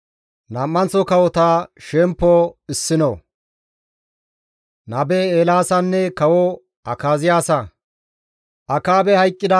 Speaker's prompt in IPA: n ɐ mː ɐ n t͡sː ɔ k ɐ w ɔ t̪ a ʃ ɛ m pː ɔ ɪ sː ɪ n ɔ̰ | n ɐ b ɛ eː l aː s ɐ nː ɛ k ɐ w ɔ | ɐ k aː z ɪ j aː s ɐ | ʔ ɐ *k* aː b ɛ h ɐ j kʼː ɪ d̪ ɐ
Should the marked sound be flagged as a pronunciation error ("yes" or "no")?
no